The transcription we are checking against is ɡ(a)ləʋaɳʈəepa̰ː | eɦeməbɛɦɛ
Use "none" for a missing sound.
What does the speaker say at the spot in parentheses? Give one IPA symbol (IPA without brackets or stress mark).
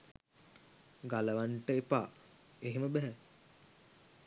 a